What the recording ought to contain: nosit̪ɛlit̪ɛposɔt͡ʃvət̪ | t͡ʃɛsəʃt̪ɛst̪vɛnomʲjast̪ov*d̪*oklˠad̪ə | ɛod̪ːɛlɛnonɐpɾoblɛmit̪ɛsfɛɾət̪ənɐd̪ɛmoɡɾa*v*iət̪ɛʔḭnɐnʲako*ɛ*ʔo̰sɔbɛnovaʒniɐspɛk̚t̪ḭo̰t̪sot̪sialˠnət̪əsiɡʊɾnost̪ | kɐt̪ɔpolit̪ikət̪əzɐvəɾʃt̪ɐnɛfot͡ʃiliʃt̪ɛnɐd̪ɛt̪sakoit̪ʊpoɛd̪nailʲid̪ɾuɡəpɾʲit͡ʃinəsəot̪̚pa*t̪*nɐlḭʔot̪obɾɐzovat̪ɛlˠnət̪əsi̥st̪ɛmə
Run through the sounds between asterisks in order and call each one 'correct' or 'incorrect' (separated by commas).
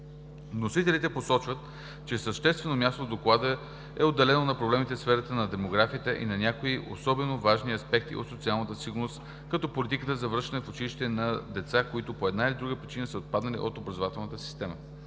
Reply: correct, incorrect, incorrect, incorrect